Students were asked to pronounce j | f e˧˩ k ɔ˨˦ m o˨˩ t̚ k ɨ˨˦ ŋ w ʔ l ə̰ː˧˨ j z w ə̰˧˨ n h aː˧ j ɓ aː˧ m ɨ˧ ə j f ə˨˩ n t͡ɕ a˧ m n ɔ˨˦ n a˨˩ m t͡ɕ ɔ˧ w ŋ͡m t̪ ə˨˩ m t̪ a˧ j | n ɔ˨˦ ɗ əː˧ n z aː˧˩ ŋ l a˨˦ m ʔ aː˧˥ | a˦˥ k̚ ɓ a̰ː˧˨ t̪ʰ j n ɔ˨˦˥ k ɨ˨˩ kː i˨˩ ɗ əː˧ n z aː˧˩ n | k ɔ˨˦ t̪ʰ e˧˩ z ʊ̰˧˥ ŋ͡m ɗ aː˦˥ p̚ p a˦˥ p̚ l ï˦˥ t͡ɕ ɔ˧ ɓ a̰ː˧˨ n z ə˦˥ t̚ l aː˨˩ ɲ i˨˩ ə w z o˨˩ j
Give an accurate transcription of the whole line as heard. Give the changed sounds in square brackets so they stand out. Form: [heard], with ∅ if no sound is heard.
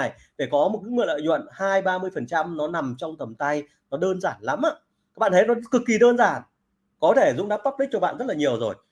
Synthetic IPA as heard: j | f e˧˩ k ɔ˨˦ m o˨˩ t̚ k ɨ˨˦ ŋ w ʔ l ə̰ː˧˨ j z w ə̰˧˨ n h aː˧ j ɓ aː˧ m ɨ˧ ə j f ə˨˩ n t͡ɕ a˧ m n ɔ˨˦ n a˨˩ m t͡ɕ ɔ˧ w ŋ͡m t̪ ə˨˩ m t̪ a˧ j | n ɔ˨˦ ɗ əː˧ n z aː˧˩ [n] l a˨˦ m ʔ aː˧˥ | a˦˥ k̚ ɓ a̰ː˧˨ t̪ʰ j n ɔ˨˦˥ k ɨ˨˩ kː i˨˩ ɗ əː˧ n z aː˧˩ n | k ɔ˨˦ t̪ʰ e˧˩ z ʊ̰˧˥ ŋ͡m ɗ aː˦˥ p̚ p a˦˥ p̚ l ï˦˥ t͡ɕ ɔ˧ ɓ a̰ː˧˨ n z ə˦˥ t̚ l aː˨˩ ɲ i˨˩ ə w z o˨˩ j